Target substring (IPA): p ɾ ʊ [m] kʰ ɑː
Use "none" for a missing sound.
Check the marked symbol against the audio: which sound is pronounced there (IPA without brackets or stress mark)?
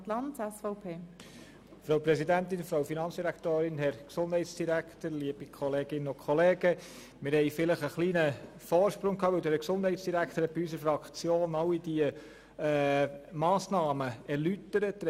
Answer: ŋ